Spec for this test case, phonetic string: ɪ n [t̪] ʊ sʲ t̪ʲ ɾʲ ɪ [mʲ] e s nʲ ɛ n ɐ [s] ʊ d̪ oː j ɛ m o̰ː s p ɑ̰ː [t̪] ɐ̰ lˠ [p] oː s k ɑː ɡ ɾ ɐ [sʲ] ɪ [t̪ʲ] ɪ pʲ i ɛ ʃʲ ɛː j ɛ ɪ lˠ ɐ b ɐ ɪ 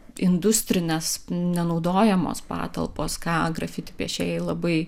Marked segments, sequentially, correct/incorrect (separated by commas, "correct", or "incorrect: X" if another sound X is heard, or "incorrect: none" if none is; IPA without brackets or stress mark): incorrect: d̪, incorrect: nʲ, incorrect: none, correct, correct, incorrect: fʲ, correct